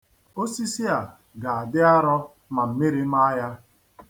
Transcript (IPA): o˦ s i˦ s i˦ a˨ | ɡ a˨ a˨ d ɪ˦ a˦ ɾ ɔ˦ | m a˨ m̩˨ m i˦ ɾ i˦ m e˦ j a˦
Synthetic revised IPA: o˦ s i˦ s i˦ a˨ | ɡ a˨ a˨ d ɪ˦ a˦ ɾ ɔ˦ | m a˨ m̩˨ m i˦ ɾ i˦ m a˦ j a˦